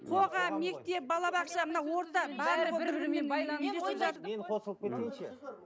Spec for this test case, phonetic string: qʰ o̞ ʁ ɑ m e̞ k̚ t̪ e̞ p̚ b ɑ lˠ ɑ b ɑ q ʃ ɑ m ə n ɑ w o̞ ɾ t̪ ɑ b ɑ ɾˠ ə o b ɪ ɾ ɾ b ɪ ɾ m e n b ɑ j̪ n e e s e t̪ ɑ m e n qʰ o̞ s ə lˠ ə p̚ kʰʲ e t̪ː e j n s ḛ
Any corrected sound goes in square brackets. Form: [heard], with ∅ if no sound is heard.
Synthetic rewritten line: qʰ o̞ ʁ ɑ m e̞ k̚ t̪ e̞ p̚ b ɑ lˠ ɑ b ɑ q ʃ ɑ m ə n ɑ w o̞ ɾ t̪ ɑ b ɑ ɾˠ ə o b ɪ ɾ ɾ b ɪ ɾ m e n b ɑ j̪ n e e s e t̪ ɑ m e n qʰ o̞ s ə lˠ ə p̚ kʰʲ e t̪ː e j n [ʃ] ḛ